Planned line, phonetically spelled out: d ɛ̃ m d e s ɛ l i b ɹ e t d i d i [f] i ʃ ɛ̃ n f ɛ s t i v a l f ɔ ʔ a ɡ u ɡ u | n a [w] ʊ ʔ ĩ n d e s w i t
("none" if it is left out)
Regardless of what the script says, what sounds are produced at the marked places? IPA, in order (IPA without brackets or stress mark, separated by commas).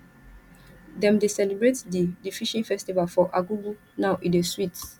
f, none